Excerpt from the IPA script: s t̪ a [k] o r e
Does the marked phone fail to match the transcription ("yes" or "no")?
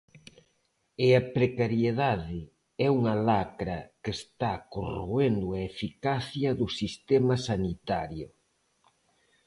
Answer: no